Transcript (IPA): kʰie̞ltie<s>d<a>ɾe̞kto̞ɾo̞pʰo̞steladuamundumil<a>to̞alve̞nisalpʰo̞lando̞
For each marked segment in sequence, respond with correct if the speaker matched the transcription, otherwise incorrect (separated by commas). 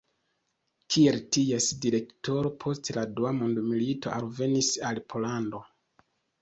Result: correct, incorrect, incorrect